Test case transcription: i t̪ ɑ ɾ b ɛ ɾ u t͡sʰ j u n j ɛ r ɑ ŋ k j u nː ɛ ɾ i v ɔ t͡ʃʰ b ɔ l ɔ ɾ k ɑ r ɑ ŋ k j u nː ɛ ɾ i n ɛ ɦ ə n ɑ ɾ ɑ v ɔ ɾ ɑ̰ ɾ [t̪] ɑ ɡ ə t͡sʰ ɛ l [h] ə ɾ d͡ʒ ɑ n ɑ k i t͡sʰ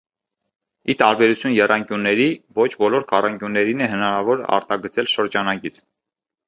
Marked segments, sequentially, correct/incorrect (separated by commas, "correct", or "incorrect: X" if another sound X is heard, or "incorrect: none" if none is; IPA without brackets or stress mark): correct, incorrect: ʃ